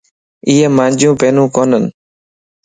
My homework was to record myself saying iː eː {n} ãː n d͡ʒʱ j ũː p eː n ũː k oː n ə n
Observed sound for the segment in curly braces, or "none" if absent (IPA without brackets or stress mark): m